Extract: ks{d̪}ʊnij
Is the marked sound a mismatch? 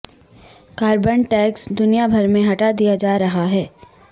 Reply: no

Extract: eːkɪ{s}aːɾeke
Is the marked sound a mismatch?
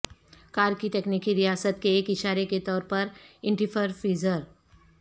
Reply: yes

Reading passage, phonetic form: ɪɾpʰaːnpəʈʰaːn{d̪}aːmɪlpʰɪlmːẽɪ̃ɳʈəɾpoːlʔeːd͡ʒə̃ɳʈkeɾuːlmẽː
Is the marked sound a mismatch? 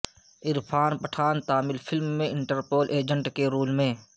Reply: yes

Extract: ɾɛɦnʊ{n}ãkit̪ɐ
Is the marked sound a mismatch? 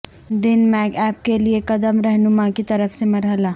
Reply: yes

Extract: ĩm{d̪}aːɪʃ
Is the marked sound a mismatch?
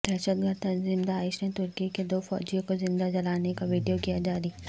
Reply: no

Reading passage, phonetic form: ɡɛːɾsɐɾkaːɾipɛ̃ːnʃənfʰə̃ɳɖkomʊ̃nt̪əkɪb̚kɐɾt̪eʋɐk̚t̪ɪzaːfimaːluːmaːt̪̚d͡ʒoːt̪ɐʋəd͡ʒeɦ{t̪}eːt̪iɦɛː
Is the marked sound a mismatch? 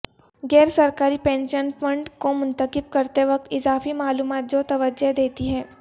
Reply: yes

